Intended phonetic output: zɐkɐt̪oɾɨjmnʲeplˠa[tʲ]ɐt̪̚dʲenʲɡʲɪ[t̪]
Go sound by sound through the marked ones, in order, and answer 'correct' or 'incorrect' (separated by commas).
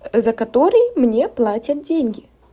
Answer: correct, incorrect